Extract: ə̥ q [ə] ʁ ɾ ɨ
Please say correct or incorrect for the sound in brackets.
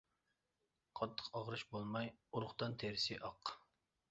incorrect